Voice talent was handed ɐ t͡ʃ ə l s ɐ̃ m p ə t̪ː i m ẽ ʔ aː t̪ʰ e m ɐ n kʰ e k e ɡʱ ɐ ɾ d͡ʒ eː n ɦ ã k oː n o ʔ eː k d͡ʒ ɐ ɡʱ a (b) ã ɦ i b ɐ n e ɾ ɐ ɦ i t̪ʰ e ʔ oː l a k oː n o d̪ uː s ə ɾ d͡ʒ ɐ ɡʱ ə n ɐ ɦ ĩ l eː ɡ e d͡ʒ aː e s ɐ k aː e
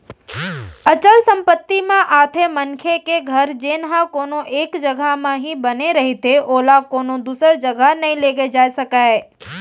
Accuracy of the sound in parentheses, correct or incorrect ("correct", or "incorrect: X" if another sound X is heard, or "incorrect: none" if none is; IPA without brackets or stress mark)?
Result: incorrect: m